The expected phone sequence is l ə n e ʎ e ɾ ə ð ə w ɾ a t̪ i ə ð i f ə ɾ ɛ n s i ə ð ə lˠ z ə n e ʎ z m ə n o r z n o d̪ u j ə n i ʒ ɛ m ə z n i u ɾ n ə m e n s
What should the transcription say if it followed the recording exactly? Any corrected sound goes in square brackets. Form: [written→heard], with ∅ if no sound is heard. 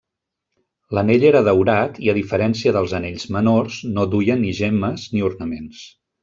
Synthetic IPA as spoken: l ə n e ʎ e ɾ ə ð ə w ɾ a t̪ i ə ð i f ə ɾ ɛ n s i ə ð ə lˠ z ə n e ʎ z m ə n o r z n o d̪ u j ə n i ʒ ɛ m ə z n i u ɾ n ə m e n s